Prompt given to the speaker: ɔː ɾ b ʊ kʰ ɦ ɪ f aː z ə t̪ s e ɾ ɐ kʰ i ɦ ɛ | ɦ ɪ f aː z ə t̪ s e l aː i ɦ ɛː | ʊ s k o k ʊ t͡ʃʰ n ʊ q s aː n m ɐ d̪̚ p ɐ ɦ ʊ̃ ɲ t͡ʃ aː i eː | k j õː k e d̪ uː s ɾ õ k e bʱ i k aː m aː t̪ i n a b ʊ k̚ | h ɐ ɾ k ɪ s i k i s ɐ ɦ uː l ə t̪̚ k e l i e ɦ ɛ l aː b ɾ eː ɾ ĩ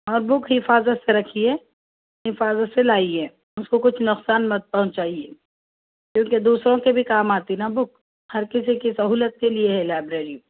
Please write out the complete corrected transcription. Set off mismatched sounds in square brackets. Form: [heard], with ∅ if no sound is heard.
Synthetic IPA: ɔː ɾ b ʊ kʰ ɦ ɪ f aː z ə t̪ s e ɾ ɐ kʰ i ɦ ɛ | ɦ ɪ f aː z ə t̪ s e l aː i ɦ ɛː | ʊ s k o k ʊ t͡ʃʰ n ʊ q s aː n m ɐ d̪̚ p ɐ ɦ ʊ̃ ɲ t͡ʃ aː i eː | k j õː k e d̪ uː s ɾ õ k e bʱ i k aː m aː t̪ i n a b ʊ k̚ | h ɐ ɾ k ɪ s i k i s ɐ ɦ uː l ə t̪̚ k e l i e ɦ ɛ l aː b ɾ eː ɾ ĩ